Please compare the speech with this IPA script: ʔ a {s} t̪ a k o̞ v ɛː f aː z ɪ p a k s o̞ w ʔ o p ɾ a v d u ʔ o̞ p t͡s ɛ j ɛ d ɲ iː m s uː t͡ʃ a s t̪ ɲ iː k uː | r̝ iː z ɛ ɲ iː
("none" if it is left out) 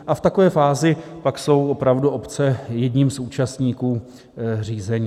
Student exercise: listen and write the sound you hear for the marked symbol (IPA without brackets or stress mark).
f